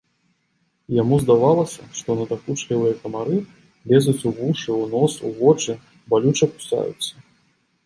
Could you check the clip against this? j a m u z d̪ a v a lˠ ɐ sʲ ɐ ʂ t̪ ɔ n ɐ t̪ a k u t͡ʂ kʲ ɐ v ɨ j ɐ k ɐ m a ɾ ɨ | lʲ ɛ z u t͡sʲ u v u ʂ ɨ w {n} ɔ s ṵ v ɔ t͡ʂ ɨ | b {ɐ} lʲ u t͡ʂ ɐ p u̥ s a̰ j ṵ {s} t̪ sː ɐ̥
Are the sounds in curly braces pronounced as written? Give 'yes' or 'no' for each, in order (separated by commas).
yes, no, no